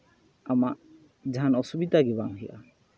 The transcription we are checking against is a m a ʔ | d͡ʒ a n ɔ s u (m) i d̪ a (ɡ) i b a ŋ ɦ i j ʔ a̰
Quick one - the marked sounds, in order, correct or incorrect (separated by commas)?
incorrect, correct